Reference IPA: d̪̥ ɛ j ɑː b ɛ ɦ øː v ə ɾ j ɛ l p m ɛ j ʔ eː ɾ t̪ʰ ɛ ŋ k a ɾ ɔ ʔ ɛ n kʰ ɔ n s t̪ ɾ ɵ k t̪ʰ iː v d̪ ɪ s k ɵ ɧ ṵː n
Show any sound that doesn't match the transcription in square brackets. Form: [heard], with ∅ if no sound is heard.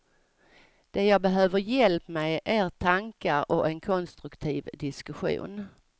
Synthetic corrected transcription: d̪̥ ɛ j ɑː b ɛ ɦ øː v ə ɾ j ɛ l p m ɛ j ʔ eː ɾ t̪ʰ [a] ŋ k a ɾ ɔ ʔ ɛ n kʰ ɔ n s t̪ ɾ ɵ k t̪ʰ iː v d̪ ɪ s k ɵ ɧ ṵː n